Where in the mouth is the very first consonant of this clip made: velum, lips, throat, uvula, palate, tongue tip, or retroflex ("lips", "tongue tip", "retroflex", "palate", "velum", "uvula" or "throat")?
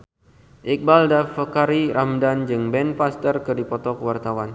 throat